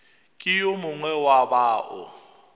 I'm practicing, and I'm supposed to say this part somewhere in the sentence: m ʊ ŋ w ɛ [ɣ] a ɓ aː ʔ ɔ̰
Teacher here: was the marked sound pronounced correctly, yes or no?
no